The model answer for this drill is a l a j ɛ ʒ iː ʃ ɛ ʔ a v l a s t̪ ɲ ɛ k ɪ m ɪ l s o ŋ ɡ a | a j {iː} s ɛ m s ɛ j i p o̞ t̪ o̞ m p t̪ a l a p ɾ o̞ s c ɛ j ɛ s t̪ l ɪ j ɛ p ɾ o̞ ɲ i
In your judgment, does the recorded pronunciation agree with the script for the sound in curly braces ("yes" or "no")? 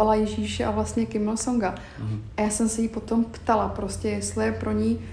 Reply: no